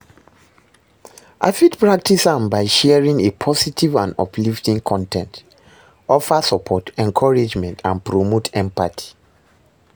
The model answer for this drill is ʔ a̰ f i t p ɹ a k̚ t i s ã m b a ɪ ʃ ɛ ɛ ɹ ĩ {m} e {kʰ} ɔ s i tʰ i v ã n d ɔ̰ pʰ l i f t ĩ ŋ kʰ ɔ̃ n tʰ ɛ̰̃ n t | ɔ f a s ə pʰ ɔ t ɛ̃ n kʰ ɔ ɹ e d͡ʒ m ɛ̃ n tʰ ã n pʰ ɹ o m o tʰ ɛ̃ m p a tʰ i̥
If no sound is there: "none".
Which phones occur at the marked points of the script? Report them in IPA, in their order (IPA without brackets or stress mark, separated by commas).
ŋ, pʰ